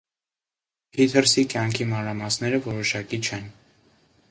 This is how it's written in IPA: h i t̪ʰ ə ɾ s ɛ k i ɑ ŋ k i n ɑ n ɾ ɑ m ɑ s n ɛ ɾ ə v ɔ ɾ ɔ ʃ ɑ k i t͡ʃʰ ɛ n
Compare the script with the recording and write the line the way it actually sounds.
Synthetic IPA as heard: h i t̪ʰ ə ɾ s i k j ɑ ŋ kʰ i m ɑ n ɾ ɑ m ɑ s n ɛ ɾ ə v ɔ ɾ ɔ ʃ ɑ k i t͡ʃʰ ɛ n

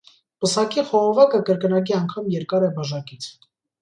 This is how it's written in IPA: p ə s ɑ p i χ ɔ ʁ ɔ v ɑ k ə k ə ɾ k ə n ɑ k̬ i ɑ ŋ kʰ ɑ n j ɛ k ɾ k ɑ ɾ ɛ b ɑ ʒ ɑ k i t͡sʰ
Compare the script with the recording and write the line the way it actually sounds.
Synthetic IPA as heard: p ə s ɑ k i χ ɔ ʁ ɔ v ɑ k ə k ə ɾ k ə n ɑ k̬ i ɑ ŋ kʰ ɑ m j ɛ ɾ k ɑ ɾ ɛ b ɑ ʒ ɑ k i t͡sʰ

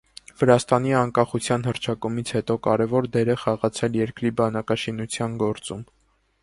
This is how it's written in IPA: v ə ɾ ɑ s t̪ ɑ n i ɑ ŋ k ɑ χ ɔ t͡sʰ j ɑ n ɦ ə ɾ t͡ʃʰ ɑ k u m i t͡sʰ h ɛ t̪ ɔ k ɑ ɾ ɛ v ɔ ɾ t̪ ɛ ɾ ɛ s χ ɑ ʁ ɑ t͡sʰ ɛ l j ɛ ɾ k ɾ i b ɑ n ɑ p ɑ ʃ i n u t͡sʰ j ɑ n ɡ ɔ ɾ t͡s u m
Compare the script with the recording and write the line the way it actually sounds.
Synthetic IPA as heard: v ə ɾ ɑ s t̪ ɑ n i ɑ ŋ k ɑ χ u t͡sʰ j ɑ n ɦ ə ɾ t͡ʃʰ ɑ k u m i t͡sʰ h ɛ t̪ ɔ k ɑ ɾ ɛ v ɔ ɾ d̪ ɛ ɾ ɛ χ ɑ ʁ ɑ t͡sʰ ɛ l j ɛ ɾ k ɾ i b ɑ n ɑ k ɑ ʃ i n u t͡sʰ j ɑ n ɡ ɔ ɾ t͡s u m

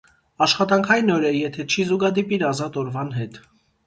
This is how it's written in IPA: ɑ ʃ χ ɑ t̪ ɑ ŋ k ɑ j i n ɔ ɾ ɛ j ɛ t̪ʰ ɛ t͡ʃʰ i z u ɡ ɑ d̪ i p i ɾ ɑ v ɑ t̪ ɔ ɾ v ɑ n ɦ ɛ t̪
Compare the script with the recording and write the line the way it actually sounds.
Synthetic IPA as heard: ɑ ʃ χ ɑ t̪ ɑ ŋ kʰ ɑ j i n ɔ ɾ ɛ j ɛ t̪ʰ ɛ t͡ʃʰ i z u ɡ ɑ d̪ i p i ɾ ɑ z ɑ t̪ ɔ ɾ v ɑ n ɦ ɛ t̪

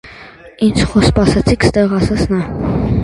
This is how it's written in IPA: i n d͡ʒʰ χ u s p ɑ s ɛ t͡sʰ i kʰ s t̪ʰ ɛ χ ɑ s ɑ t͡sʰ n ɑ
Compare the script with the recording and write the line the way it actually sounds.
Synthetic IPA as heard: i n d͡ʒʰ χ ɔ s p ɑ s ɛ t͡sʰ i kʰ s t̪ ɛ ʁ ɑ s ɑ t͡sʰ n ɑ

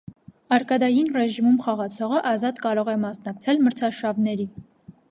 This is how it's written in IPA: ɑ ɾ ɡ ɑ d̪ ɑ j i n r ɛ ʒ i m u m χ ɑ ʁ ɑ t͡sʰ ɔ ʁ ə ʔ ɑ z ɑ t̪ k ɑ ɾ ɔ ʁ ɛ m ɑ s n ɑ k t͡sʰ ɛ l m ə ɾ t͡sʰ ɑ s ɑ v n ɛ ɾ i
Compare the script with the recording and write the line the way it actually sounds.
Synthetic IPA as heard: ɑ ɾ k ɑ d̪ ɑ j i n r ɛ ʒ i m u m χ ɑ ʁ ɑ t͡sʰ ɔ ʁ ə ʔ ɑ z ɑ t̪ k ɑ ɾ ɔ ʁ ɛ m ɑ s n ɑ k t͡sʰ ɛ l m ə ɾ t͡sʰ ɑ ʃ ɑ v n ɛ ɾ i

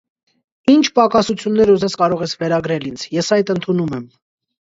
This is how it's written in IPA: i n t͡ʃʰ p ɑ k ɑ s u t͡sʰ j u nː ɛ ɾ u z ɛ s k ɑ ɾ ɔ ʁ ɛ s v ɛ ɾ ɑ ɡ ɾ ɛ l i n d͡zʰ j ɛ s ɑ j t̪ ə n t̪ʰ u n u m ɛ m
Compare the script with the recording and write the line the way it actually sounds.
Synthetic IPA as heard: i n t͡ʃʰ p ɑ k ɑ s u t͡sʰ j u nː ɛ ɾ u z ɛ s k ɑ ɾ ɔ ʁ ɛ s v ɛ ɾ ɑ ɡ ɾ ɛ l i n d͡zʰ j ɛ s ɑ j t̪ ə n t̪ʰ u n u m ɛ m

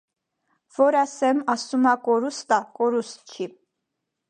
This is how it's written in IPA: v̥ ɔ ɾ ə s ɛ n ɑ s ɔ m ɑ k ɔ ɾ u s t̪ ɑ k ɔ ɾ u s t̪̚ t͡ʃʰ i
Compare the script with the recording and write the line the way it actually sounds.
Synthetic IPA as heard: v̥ ɔ ɾ ɑ s ɛ m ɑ s u m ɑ k ɔ ɾ u s t̪ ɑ k ɔ ɾ u s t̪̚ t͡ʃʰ i

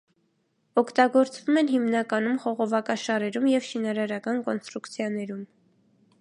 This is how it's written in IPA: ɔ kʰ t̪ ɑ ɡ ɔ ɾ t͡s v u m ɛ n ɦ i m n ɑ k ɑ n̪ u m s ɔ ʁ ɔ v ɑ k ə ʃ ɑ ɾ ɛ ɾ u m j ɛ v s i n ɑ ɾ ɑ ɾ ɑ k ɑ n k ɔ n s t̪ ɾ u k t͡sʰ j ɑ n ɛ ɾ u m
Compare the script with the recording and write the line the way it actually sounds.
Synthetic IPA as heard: ɔ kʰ t̪ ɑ ɡ ɔ ɾ t͡s v u m ɛ n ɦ i m n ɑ k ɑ n̪ u m χ ɔ ʁ ɔ v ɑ k ɑ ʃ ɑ ɾ ɛ ɾ u m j ɛ v ʃ i n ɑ ɾ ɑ ɾ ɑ k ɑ n k ɔ n s t̪ ɾ u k t͡sʰ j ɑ n ɛ ɾ u m

